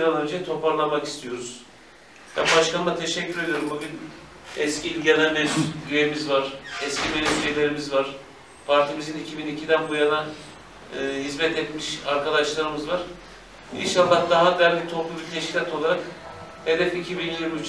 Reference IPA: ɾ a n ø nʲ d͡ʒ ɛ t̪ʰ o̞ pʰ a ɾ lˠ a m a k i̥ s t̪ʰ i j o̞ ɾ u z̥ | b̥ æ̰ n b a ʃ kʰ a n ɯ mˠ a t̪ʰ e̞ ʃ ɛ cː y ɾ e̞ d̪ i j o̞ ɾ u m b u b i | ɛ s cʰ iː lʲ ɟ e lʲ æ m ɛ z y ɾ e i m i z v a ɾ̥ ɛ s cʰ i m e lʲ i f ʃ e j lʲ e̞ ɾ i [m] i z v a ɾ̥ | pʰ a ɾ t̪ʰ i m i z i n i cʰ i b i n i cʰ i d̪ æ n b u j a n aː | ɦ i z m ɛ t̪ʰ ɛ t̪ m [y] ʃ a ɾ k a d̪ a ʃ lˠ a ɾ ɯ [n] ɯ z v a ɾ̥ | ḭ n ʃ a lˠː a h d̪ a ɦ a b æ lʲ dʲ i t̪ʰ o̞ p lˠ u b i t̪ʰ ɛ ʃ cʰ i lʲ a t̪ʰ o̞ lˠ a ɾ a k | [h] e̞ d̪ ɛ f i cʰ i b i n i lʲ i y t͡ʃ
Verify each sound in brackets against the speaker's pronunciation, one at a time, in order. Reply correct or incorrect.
correct, incorrect, incorrect, correct

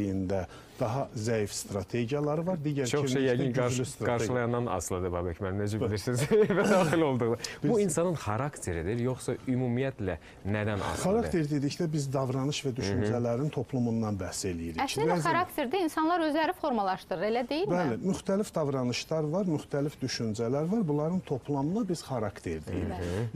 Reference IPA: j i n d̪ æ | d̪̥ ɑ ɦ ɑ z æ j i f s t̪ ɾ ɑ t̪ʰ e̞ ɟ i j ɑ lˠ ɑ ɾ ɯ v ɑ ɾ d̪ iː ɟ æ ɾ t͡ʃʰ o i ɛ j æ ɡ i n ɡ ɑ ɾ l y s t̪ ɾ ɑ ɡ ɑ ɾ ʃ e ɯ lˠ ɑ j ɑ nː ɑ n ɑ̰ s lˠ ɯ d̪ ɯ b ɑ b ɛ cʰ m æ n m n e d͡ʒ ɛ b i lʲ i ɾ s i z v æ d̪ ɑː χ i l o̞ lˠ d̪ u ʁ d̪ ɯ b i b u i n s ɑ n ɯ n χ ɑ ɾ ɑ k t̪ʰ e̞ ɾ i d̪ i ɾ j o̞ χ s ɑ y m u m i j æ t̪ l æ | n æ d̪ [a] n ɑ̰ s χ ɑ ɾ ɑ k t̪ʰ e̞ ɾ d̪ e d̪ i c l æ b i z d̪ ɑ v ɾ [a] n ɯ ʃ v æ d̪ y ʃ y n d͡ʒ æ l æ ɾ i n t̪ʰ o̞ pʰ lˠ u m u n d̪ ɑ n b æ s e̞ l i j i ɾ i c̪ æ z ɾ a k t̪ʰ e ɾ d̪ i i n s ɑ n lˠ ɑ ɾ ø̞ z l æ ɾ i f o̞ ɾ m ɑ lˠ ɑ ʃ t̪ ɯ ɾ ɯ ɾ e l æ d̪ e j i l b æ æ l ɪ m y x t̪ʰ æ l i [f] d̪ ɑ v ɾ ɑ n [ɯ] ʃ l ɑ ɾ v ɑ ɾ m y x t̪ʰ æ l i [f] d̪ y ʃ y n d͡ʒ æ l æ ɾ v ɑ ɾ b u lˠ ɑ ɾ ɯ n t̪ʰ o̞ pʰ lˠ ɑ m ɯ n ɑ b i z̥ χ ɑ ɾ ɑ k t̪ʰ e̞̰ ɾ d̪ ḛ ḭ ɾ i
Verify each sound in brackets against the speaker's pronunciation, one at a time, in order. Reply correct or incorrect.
incorrect, incorrect, correct, correct, correct

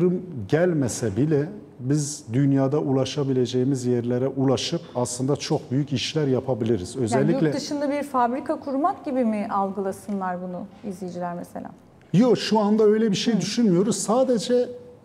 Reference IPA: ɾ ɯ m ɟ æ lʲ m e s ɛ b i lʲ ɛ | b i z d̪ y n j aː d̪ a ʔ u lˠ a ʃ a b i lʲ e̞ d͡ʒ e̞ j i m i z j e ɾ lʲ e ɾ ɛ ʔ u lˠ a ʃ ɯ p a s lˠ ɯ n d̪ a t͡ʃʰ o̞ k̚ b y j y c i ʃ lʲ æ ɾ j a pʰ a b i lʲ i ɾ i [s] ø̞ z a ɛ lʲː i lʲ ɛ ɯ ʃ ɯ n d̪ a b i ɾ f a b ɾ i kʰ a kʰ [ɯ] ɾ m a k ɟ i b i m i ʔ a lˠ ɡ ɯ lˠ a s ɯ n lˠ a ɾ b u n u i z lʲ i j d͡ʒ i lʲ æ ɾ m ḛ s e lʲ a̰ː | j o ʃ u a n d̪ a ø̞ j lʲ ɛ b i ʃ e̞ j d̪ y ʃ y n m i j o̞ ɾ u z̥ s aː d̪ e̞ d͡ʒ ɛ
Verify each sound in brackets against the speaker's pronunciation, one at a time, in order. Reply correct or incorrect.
incorrect, incorrect

